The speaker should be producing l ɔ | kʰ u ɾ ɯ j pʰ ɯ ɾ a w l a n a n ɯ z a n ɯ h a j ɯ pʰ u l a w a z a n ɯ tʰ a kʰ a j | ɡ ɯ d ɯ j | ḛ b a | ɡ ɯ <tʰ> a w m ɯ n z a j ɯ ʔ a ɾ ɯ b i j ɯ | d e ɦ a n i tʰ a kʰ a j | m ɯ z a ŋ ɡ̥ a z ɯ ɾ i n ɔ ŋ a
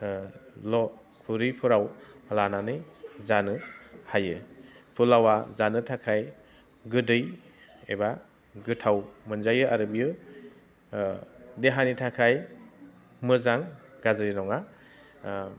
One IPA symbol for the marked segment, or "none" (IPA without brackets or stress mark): tʰ